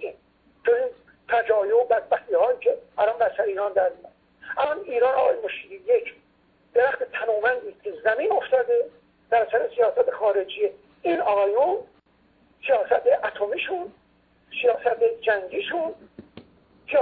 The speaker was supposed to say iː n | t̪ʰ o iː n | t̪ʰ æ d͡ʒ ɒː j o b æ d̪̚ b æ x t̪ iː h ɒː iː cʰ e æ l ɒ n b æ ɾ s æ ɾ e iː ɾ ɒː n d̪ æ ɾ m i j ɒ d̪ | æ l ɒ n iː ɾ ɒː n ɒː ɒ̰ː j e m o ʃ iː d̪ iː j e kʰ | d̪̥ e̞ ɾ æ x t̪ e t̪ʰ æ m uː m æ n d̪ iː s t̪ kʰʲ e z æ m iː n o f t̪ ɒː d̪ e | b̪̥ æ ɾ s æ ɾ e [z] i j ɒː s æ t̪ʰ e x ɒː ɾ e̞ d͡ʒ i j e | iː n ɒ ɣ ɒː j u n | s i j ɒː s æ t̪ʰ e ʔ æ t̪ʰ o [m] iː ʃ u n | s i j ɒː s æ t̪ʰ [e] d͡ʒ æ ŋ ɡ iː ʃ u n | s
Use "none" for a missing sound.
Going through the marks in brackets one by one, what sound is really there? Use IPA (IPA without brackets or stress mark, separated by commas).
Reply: s, m, e